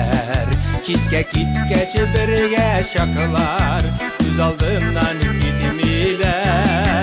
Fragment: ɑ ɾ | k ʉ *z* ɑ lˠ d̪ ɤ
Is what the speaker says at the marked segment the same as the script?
yes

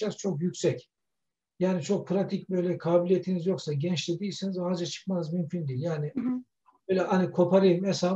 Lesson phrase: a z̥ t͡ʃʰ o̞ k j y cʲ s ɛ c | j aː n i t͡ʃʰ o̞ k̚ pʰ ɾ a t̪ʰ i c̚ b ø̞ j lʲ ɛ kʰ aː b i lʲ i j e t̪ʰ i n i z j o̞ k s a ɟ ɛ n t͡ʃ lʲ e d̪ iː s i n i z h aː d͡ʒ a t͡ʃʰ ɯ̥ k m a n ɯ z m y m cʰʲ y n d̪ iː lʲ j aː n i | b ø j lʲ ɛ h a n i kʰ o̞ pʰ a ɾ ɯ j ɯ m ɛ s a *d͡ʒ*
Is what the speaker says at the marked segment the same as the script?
no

